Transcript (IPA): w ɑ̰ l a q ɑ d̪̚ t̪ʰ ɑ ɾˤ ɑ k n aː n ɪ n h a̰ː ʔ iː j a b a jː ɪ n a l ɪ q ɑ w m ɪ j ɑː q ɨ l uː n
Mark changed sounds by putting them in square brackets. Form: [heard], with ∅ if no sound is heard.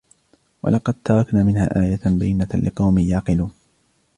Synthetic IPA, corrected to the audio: w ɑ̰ l [ɑ] q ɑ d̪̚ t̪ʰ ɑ ɾˤ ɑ k n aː [m] ɪ n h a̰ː ʔ [aː] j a b a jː ɪ n a l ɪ q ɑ w m ɪ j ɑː q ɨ l uː n

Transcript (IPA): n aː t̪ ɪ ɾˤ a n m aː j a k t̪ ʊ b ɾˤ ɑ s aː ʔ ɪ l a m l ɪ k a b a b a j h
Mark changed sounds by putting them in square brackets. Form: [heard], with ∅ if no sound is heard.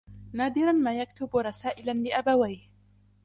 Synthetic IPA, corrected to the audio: n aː [d̪] ɪ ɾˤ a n m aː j a k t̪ ʊ b ɾˤ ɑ s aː ʔ ɪ l a [n] l ɪ [ʔ] a b a [w] a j h

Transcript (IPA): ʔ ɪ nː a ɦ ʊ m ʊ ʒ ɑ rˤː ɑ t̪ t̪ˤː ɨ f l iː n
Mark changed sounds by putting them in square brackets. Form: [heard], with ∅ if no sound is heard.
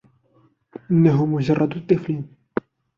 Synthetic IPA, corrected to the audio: ʔ ɪ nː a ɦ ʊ m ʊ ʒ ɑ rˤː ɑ [d̪] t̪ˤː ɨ f l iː n

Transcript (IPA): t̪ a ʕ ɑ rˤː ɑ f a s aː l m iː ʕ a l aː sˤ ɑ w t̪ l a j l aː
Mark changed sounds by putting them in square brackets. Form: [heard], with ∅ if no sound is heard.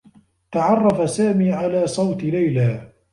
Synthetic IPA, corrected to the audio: t̪ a ʕ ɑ rˤː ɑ f a s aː [∅] m iː ʕ a l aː sˤ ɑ w t̪ l a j l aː

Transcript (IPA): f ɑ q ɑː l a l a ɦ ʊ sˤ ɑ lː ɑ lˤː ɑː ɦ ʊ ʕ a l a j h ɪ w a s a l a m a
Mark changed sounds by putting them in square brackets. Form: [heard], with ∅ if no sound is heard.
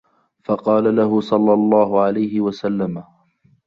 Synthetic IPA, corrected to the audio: f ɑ q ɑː l a l a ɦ ʊ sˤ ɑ lː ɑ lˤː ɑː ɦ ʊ ʕ a l a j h ɪ w a s a [lː] a m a

